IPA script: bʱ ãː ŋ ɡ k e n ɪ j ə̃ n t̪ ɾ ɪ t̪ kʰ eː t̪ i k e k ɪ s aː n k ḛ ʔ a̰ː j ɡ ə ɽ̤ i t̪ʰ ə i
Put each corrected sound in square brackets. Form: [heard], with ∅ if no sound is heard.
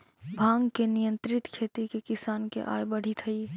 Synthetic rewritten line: bʱ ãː ŋ ɡ k e n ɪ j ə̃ n t̪ ɾ ɪ t̪ kʰ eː t̪ i k e k ɪ s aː n k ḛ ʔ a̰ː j [b] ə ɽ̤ i t̪ʰ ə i